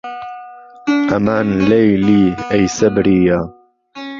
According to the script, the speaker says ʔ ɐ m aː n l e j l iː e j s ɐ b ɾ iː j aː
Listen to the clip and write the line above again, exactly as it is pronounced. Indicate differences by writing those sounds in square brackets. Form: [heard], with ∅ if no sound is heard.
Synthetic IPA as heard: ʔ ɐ m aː n l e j l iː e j s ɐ b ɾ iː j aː